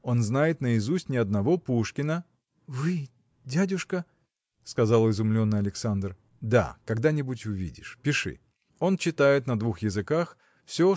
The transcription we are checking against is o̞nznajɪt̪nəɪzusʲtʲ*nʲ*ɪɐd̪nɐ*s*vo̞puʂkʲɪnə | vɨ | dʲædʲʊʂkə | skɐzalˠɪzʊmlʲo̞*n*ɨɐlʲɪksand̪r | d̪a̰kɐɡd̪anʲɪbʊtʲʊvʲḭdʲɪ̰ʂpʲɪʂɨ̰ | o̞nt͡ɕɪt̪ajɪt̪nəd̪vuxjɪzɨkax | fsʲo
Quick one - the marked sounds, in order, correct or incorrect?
correct, incorrect: none, incorrect: nː

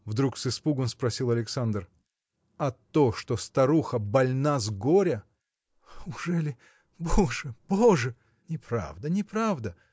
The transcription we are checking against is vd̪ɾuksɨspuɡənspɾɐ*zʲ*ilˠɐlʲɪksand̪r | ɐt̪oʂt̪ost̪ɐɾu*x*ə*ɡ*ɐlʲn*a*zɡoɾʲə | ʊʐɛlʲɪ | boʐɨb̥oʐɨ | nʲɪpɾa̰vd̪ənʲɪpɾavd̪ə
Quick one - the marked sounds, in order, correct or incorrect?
incorrect: sʲ, correct, incorrect: b, correct

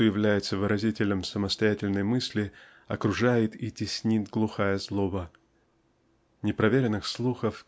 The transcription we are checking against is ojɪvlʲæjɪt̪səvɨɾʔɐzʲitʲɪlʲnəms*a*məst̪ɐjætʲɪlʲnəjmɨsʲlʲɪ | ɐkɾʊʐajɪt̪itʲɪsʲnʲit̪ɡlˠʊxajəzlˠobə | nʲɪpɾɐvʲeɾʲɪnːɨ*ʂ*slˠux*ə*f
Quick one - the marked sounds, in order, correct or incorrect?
incorrect: ə, incorrect: x, correct

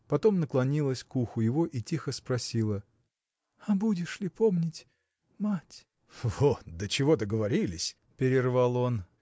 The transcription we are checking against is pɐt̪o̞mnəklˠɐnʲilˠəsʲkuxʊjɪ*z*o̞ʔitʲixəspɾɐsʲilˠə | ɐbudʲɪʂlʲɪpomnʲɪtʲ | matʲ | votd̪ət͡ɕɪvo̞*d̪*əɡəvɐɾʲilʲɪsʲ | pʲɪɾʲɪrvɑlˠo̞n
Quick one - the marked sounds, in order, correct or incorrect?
incorrect: v, correct

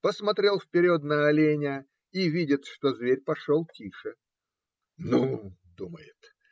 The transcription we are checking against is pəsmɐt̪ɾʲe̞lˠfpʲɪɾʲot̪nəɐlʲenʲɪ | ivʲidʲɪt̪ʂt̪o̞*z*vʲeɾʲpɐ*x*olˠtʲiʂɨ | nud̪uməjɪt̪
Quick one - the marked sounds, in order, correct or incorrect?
correct, incorrect: ʂ

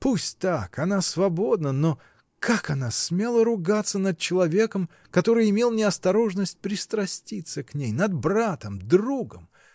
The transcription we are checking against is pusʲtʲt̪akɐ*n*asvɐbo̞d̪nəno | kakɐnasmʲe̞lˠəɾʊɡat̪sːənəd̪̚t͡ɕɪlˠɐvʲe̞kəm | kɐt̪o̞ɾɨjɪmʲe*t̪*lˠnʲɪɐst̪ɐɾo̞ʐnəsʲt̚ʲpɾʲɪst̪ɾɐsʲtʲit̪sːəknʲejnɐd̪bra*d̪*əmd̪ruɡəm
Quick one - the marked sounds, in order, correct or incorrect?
correct, incorrect: none, incorrect: t̪

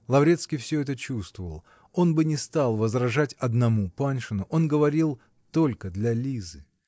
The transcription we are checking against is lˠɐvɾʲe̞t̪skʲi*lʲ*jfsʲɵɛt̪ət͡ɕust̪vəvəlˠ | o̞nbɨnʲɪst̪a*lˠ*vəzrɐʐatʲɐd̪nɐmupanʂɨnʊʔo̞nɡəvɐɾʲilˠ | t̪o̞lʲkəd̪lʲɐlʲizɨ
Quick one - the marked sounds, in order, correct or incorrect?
incorrect: none, correct

